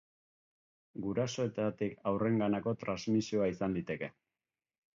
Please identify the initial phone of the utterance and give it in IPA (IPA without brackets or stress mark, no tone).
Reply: ɡ